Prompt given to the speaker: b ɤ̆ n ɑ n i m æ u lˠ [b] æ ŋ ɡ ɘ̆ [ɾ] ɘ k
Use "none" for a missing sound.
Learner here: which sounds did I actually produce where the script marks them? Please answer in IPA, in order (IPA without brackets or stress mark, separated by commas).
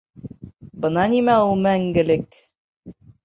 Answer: m, l